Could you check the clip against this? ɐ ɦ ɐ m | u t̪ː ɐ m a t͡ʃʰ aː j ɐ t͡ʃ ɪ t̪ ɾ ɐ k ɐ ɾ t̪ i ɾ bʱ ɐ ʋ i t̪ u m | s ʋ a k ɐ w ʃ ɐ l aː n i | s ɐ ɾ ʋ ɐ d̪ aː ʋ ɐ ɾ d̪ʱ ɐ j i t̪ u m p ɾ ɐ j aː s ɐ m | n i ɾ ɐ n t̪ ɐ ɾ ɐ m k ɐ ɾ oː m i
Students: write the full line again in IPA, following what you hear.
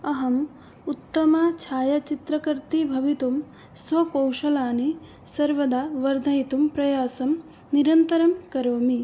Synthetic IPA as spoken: ɐ ɦ ɐ m | u t̪ː ɐ m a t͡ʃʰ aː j ɐ t͡ʃ i t̪ ɾ ɐ k ɐ ɾ t̪ i bʱ ɐ ʋ i t̪ u m | s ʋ ɐ k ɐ w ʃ ɐ l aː n i | s ɐ ɾ ʋ ɐ d̪ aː ʋ ɐ ɾ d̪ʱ ɐ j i t̪ u m p ɾ ɐ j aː s ɐ m | n i ɾ ɐ n t̪ ɐ ɾ ɐ m k ɐ ɾ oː m i